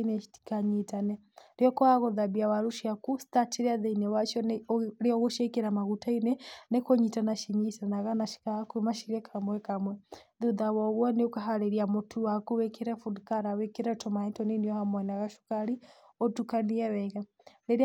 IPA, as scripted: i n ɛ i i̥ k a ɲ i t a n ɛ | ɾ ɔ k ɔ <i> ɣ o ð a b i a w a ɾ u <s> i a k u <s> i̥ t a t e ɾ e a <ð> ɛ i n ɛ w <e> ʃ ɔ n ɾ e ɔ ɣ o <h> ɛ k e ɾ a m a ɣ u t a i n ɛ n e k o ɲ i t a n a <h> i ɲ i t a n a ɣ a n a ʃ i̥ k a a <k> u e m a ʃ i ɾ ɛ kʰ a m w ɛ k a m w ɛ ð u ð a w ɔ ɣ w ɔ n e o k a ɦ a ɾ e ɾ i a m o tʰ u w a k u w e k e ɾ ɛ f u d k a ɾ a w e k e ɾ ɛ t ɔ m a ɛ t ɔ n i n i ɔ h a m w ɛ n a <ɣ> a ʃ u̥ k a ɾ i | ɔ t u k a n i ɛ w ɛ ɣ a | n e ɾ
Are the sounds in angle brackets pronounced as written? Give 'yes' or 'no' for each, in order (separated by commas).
no, no, yes, yes, no, no, no, yes, yes